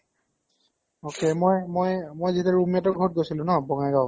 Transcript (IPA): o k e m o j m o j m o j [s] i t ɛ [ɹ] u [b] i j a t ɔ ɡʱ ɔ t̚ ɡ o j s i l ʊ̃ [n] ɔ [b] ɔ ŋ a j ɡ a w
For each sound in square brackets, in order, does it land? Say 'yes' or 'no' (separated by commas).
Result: no, yes, no, yes, yes